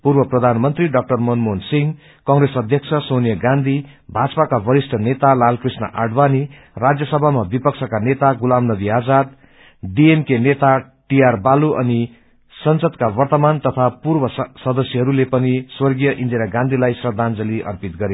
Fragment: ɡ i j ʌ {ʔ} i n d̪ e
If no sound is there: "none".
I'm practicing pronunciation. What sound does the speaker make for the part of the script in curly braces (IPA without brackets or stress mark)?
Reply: ʔ